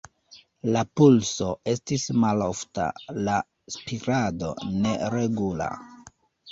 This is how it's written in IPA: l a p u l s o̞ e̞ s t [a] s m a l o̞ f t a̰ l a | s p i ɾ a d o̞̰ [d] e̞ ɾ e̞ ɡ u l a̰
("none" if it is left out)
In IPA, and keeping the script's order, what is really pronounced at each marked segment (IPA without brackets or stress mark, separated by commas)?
i, n